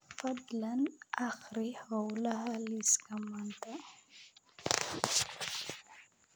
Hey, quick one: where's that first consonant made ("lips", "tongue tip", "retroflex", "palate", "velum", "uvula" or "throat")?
lips